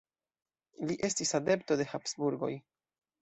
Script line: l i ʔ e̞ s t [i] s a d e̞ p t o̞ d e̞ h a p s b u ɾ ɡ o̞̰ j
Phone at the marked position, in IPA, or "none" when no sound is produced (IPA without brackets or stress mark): i